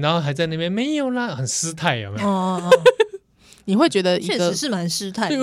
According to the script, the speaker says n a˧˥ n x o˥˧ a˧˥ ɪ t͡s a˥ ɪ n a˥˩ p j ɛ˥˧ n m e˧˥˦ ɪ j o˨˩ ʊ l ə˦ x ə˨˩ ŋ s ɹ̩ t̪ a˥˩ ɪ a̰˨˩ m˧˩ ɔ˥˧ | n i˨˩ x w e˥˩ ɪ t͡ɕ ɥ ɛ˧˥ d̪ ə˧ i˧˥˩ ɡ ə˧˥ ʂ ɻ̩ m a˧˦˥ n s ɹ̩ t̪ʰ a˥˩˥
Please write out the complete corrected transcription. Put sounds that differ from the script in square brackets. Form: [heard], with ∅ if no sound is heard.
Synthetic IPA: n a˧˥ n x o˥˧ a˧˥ ɪ t͡s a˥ ɪ n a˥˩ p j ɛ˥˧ n m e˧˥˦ ɪ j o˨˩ ʊ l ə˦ x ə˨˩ [n] s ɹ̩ [t̪ʰ] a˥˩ ɪ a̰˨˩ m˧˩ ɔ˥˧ | n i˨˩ x w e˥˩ ɪ t͡ɕ ɥ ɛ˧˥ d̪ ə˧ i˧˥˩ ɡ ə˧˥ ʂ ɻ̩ m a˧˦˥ n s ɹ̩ t̪ʰ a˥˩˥